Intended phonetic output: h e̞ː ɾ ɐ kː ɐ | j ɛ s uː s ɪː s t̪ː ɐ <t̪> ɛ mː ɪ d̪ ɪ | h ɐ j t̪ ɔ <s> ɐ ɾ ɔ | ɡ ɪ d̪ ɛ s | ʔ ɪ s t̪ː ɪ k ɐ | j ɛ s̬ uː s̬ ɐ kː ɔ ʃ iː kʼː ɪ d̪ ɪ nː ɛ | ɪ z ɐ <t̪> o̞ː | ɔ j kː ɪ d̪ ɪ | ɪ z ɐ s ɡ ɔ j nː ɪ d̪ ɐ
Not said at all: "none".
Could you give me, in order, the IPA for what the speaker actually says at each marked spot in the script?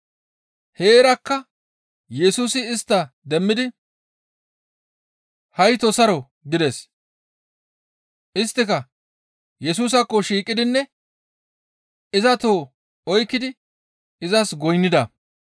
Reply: d̪, s, t̪

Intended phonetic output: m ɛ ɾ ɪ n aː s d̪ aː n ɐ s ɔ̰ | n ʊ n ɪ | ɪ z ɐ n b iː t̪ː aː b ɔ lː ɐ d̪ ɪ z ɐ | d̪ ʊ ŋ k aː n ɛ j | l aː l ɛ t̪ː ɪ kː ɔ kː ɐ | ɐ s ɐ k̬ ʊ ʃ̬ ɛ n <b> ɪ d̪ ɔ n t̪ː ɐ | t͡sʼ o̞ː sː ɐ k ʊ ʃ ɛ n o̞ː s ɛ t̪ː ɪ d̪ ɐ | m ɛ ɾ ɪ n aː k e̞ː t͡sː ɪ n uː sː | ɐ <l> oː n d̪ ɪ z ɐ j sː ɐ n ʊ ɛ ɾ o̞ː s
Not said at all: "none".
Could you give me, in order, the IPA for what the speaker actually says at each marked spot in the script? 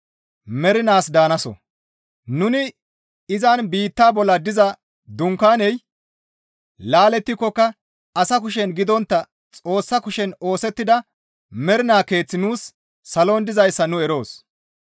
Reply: ɡ, l

